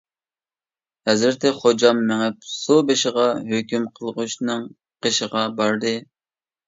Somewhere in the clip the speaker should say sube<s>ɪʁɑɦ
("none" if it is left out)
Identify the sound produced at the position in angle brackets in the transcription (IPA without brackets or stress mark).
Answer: ʃ